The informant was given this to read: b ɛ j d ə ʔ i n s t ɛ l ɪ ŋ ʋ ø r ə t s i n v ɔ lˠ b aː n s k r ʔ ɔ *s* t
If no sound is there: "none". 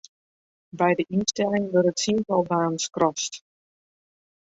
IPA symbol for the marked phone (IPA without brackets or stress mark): s